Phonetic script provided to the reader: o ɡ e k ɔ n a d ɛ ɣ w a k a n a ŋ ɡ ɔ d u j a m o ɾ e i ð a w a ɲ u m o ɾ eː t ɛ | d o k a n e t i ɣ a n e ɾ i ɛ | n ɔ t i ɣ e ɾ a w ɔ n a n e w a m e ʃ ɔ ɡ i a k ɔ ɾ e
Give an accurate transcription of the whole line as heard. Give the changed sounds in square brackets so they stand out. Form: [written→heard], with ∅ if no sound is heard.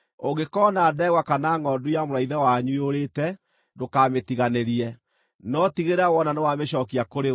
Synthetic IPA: o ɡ e k ɔ n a d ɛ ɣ w a k a n a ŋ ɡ ɔ d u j a m o ɾ [e→a] i ð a w a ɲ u [m→∅] o ɾ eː t ɛ | d o k a [n→m] e t i ɣ a n e ɾ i ɛ | n ɔ t i ɣ e ɾ a w ɔ n a n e w a m e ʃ ɔ [ɡ→k] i a k [ɔ→o] ɾ e